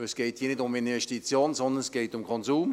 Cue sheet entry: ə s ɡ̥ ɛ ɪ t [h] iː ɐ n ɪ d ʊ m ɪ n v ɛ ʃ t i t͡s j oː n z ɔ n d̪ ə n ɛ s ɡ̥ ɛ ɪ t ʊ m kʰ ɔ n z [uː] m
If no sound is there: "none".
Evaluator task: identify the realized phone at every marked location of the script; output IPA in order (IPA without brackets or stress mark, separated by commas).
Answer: h, uː